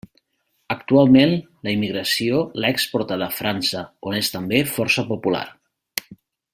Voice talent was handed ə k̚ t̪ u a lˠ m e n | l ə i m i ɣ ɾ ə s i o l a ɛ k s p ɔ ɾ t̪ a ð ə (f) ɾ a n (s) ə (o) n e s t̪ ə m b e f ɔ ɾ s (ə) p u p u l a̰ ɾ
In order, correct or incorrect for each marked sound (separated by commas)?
correct, correct, correct, correct